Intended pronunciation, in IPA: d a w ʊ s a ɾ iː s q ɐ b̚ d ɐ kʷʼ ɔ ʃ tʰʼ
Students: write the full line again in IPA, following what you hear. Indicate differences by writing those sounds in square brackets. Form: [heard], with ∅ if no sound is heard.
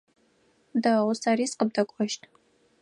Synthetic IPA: d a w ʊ s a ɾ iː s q [ə] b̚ d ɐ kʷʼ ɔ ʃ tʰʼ